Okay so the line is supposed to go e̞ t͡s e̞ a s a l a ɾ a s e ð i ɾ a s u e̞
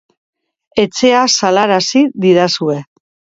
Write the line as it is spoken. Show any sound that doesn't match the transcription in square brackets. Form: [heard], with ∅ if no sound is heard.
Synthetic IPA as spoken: e̞ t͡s e̞ a s a l a ɾ a s [i] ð i ɾ a s u e̞